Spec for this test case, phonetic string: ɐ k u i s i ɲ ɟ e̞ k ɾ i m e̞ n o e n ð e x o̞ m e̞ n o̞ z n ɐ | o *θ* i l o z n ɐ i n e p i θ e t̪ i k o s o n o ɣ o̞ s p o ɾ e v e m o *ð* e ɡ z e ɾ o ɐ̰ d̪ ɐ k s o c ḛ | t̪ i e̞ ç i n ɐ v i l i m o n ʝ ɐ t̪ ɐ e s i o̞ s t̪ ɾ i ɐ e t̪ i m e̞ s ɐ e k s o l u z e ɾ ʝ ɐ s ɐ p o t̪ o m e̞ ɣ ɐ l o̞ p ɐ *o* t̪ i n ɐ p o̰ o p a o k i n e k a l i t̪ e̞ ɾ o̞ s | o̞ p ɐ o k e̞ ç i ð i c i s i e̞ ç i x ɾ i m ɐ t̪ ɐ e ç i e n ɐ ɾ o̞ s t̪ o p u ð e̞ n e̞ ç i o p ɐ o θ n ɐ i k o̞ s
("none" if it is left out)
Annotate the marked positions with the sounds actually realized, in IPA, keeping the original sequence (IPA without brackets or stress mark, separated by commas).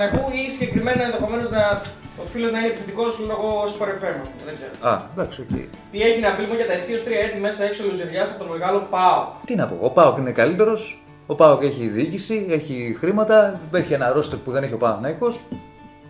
f, ð, o